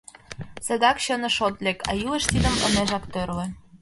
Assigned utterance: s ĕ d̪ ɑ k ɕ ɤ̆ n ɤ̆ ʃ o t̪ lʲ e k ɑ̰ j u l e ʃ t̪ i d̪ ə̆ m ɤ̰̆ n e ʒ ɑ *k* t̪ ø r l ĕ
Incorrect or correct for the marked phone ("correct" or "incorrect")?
correct